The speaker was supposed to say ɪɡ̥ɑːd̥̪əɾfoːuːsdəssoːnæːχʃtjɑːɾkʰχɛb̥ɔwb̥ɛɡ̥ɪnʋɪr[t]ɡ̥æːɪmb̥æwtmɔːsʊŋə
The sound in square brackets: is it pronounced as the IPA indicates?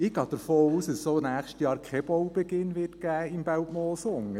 yes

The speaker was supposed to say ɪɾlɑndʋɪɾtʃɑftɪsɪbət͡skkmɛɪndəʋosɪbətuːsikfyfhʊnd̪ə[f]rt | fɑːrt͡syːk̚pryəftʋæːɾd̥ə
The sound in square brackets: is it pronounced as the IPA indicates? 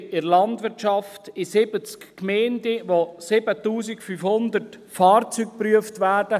no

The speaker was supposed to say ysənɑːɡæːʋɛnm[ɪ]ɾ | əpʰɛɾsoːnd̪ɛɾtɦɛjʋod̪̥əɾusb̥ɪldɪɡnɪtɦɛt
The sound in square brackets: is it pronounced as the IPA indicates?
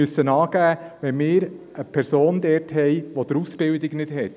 no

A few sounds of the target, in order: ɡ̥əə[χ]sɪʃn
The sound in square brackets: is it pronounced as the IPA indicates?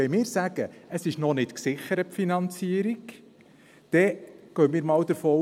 no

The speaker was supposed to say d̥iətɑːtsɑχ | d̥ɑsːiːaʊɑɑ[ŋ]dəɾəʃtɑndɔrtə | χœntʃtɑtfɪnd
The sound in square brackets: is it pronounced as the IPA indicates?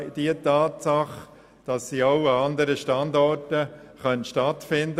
no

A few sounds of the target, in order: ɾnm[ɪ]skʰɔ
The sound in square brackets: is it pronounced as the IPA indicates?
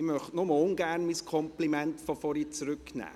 no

